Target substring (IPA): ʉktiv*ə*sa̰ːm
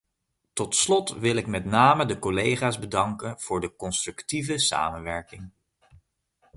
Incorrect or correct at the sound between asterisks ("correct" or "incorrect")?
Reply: correct